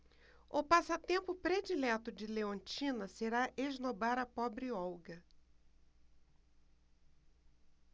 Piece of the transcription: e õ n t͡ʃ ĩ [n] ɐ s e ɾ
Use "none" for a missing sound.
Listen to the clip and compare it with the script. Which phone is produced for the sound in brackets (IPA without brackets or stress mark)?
n